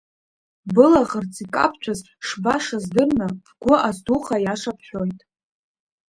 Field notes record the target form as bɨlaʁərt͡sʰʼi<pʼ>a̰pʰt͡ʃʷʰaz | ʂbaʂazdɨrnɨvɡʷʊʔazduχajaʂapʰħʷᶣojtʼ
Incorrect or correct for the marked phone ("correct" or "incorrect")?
incorrect